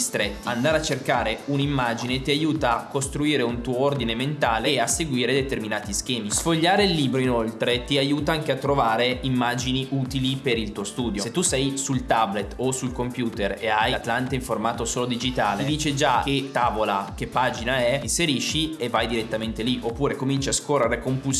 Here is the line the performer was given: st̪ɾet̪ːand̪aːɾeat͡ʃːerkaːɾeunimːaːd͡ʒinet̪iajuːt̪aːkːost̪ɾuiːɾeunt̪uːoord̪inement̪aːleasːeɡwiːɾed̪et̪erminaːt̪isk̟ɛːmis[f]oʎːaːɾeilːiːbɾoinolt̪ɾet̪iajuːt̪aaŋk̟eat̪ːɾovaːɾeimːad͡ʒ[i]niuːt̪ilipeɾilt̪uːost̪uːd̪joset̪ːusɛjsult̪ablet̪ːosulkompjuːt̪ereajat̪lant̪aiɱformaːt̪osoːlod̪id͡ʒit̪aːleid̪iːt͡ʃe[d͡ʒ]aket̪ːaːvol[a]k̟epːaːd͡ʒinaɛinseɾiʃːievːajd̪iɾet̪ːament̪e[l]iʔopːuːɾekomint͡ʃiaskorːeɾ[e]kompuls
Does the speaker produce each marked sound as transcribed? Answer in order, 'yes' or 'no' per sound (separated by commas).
yes, yes, yes, yes, yes, yes